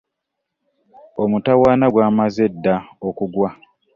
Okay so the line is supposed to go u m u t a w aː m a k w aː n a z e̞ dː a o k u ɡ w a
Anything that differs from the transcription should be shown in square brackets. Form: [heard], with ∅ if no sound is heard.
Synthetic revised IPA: [o] m u t a w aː [n] a [ɡ] w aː [m] a z e̞ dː a o k u ɡ w a